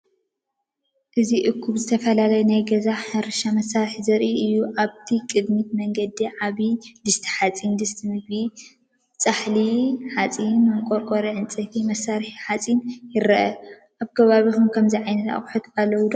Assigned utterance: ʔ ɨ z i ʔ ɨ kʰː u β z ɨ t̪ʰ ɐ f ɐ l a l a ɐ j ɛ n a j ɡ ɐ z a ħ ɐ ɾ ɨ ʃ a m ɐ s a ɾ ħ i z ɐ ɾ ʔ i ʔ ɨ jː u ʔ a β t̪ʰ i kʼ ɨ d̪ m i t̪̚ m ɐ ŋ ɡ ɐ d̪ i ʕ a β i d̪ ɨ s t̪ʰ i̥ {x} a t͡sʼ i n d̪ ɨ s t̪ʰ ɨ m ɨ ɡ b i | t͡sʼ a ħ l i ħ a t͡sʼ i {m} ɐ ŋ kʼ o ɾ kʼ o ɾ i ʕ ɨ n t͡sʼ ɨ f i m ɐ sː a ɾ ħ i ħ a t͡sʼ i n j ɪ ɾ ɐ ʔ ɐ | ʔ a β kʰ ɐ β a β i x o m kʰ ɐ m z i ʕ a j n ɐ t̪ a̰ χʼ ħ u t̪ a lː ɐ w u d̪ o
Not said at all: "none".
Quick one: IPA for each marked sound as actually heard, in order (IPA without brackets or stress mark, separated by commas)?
ħ, n